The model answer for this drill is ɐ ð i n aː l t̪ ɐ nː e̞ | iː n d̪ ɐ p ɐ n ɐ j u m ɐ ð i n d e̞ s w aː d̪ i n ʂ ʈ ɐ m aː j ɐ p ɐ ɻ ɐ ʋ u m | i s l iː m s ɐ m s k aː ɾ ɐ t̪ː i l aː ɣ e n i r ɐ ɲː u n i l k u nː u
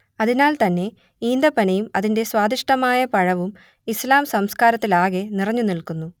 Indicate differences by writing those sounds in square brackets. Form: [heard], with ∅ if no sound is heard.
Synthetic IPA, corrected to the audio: ɐ ð i n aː l t̪ ɐ nː e̞ | iː n d̪ ɐ p ɐ n ɐ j u m ɐ ð i n d e̞ s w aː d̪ i [∅] ʂ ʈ ɐ m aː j ɐ p ɐ ɻ ɐ ʋ u m | i s l [aː] m s ɐ m s k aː ɾ ɐ t̪ː i l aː ɣ e n i r ɐ ɲː u n i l k u nː u

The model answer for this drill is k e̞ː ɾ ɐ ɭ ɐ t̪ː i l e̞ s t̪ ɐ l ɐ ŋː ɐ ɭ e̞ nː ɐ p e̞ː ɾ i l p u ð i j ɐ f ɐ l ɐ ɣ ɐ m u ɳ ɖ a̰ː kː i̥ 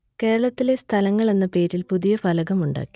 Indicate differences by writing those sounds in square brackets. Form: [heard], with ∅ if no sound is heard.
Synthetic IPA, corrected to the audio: k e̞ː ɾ ɐ ɭ ɐ t̪ː i l e̞ s [t̪ʰ] ɐ l ɐ ŋː ɐ ɭ e̞ nː ɐ p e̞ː ɾ i l p u ð i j ɐ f ɐ l ɐ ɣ ɐ m u ɳ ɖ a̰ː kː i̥

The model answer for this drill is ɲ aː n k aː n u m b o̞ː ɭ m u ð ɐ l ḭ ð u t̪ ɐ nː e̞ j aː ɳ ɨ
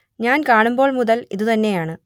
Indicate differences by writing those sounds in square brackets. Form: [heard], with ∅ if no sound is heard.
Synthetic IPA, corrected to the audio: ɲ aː n k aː [ɳ] u m b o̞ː ɭ m u ð ɐ l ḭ ð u t̪ ɐ nː e̞ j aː ɳ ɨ

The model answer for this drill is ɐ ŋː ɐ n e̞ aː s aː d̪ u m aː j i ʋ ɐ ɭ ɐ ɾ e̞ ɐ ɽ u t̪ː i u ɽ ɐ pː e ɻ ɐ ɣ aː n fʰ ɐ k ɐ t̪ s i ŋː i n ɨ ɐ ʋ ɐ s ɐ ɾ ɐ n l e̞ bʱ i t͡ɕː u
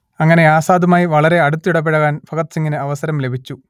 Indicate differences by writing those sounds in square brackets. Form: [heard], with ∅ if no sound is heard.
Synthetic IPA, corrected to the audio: ɐ ŋː ɐ n e̞ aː s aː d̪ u m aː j i ʋ ɐ ɭ ɐ ɾ e̞ ɐ ɽ u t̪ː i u ɽ ɐ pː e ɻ ɐ ɣ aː n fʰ ɐ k ɐ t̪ s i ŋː i n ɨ ɐ ʋ ɐ s ɐ ɾ ɐ [m] l e̞ bʱ i t͡ɕː u

